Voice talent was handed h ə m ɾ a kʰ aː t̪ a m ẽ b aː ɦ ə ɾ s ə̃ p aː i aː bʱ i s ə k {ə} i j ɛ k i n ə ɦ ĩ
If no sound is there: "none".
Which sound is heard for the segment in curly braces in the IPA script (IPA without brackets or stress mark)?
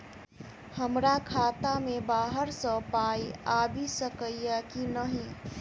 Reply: ə